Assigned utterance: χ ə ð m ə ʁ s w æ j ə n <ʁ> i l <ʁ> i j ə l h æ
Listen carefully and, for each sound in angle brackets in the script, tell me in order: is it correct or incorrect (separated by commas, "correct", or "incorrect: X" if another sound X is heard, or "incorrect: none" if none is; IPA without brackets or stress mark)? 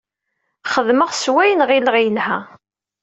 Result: correct, correct